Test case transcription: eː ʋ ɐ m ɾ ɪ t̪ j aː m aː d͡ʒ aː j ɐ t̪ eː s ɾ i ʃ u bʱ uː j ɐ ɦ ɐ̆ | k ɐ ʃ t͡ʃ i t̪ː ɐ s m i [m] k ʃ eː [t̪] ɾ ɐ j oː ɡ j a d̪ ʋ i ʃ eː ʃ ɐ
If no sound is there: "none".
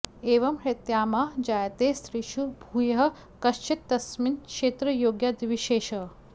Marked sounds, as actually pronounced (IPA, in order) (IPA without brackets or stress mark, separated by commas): n, t̪